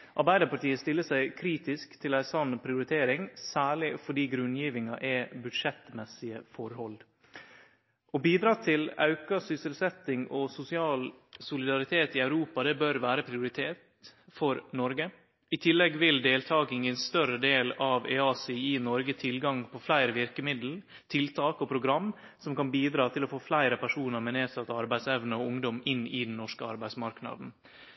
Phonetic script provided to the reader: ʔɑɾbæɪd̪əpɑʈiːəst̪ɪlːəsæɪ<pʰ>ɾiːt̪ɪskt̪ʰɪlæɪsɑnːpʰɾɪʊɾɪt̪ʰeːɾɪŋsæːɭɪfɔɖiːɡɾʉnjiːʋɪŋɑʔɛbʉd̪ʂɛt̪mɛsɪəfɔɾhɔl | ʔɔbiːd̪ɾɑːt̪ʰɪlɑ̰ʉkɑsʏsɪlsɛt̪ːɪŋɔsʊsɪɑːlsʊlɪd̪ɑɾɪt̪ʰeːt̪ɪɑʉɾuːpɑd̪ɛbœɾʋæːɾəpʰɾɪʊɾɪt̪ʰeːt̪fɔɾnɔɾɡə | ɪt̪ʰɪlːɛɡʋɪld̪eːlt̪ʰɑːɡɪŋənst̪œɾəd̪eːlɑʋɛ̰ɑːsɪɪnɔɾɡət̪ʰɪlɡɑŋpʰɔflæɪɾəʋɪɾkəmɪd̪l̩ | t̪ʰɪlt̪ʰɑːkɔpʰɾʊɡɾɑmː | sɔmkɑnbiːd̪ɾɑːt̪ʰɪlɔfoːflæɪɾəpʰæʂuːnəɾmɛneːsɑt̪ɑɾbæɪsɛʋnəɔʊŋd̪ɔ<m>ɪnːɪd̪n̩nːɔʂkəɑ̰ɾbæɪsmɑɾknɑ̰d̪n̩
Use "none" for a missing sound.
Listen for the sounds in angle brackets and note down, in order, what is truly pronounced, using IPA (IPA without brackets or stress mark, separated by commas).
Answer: kʰ, m